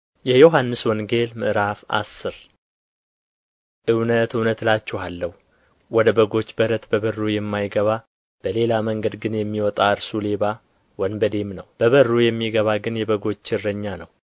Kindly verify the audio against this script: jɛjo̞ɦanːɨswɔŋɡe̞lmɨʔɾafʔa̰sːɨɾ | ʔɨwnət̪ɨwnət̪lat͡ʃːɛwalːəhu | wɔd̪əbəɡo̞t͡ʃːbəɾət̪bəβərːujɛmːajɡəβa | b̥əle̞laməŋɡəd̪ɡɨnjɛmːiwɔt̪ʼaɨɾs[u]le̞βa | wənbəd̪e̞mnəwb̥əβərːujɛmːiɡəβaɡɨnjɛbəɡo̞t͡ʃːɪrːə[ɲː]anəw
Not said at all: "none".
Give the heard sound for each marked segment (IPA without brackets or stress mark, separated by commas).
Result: u, ɲː